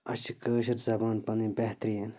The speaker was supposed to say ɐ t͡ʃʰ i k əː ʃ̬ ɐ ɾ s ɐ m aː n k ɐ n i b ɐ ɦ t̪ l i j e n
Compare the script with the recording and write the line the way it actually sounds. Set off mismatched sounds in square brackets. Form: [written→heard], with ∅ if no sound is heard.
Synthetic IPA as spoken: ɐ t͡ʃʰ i k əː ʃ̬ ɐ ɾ [s→z] ɐ [m→b] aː n [k→p] ɐ n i b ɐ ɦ t̪ [l→ɾ] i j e n

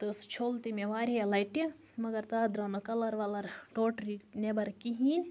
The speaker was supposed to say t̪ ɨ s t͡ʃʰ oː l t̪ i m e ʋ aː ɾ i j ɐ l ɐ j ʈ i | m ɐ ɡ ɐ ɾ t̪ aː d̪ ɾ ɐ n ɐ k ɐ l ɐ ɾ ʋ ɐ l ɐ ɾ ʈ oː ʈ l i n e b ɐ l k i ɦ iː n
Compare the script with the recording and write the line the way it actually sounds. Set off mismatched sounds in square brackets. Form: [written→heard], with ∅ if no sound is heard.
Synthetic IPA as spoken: t̪ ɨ s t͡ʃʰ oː l t̪ i m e ʋ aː ɾ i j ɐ l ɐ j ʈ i | m ɐ ɡ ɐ ɾ t̪ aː d̪ ɾ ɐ n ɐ k ɐ l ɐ ɾ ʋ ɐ l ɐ ɾ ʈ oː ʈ [l→ɾ] i n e b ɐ [l→ɾ] k i ɦ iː n

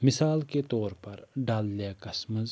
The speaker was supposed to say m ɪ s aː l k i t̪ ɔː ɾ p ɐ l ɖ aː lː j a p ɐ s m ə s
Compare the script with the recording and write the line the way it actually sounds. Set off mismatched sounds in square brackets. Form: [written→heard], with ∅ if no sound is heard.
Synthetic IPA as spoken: m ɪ s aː l k [i→e] t̪ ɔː ɾ p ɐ [l→ɾ] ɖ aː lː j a [p→k] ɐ s m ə [s→z]

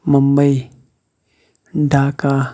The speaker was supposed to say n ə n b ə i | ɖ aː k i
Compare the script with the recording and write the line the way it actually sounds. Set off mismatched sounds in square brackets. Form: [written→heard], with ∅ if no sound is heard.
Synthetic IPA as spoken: [n→m] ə [n→m] b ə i | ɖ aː k [i→a]

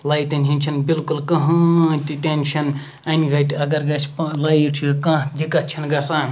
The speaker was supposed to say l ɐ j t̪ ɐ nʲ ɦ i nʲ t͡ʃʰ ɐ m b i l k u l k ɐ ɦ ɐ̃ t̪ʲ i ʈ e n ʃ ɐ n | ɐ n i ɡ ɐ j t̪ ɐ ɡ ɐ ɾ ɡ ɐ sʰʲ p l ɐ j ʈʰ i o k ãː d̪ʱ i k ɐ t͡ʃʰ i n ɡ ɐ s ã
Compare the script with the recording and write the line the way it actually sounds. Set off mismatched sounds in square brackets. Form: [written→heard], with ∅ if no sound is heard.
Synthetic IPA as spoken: l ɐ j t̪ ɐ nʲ ɦ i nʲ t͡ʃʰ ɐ [m→n] b i l k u l k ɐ ɦ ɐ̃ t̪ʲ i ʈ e n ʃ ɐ n | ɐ n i ɡ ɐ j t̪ ɐ ɡ ɐ ɾ ɡ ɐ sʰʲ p l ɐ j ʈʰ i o k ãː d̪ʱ i k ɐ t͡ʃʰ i n ɡ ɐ s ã

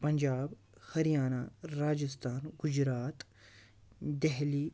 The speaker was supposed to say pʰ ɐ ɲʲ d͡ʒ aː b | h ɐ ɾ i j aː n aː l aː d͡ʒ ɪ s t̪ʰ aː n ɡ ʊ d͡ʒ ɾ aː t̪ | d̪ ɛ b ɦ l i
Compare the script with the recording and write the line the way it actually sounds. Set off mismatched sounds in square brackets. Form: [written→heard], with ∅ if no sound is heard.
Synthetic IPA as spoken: [pʰ→p] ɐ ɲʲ d͡ʒ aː b | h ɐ ɾ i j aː n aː [l→ɾ] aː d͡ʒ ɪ s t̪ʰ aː n ɡ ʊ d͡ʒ ɾ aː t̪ | d̪ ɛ [b→∅] ɦ l i

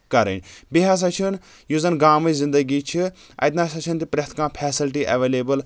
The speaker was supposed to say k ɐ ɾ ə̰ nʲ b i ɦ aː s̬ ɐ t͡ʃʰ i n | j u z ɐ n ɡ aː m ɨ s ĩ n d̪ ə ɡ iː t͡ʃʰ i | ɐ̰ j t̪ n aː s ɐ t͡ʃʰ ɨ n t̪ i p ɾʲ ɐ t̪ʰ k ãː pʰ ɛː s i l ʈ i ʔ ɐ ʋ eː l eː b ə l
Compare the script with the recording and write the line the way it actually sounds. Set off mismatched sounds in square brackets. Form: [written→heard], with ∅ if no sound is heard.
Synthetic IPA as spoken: k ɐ ɾ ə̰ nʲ b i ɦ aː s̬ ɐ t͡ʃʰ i n | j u z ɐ n ɡ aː m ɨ [s→z] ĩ n d̪ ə ɡ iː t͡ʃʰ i | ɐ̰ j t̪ n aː s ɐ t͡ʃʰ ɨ n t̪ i p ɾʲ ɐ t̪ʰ k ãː pʰ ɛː s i l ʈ i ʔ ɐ ʋ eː l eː b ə l

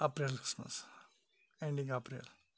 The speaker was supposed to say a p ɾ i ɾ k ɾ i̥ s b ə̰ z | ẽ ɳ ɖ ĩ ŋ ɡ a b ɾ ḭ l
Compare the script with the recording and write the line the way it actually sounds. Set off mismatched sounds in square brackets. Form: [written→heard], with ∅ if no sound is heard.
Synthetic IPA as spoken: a p ɾ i [ɾ→l] k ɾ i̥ s [b→m] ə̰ [z→s] | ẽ ɳ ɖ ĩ ŋ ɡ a [b→p] ɾ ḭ l

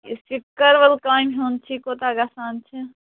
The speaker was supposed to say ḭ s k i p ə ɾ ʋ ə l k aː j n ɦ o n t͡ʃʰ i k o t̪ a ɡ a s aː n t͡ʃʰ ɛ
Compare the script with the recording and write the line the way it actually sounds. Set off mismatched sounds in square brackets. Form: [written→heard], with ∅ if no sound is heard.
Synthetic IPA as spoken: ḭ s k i [p→k] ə ɾ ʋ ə l k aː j [n→m] ɦ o n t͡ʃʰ i k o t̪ a ɡ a s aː n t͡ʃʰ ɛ

